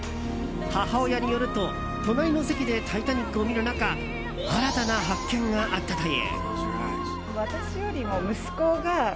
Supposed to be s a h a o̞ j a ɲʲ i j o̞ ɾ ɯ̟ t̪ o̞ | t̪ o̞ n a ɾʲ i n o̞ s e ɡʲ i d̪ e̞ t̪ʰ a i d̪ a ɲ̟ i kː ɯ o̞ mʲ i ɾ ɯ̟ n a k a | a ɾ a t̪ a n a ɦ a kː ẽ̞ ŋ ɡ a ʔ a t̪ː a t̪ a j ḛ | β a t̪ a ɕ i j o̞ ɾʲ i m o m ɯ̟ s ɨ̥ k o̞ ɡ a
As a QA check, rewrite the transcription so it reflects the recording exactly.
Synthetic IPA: h a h a o̞ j a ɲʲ i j o̞ ɾ ɯ̟ t̪ o̞ | t̪ o̞ n a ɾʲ i n o̞ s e kʲ i d̪ e̞ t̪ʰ a i t̪ a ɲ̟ i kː ɯ o̞ mʲ i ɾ ɯ̟ n a k a | a ɾ a t̪ a n a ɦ a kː ẽ̞ ŋ ɡ a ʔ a t̪ː a t̪ a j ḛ | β a t̪ a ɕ i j o̞ ɾʲ i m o m ɯ̟ s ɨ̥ k o̞ ɡ a